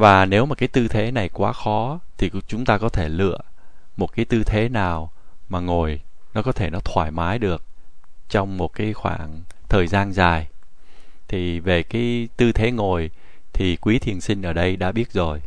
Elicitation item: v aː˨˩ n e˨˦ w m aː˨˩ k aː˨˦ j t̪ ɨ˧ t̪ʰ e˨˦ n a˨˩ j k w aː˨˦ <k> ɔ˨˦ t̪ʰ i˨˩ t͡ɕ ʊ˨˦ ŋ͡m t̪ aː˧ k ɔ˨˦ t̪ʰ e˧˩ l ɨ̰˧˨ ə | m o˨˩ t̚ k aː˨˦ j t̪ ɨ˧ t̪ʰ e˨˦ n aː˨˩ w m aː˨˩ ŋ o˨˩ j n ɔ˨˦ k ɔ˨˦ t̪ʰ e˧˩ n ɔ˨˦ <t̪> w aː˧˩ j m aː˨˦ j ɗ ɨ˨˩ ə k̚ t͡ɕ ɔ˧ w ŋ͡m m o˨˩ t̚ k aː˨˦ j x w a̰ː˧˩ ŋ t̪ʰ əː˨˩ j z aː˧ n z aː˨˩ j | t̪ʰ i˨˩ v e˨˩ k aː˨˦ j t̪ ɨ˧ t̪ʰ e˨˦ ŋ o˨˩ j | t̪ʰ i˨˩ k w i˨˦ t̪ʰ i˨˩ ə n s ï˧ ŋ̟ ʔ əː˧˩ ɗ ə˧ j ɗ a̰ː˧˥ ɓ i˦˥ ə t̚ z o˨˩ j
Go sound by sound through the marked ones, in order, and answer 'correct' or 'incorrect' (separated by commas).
incorrect, incorrect